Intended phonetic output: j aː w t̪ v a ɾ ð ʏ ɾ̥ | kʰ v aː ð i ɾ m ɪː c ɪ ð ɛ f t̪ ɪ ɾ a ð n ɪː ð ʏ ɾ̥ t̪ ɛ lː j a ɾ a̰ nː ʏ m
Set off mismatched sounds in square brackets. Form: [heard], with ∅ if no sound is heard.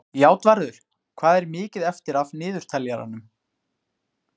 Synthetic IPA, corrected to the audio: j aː w t̪ v a ɾ ð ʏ ɾ̥ | kʰ v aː ð [ɛ] ɾ m ɪː c ɪ ð ɛ f t̪ ɪ ɾ a [v] n ɪː ð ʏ ɾ̥ [t̪ʰ] ɛ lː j a ɾ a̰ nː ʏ m